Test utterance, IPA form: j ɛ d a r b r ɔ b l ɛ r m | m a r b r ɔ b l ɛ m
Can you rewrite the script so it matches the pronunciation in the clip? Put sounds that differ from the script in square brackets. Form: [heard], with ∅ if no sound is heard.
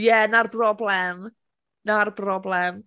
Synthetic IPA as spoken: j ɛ [n] a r b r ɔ b l ɛ [∅] m | [n] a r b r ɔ b l ɛ m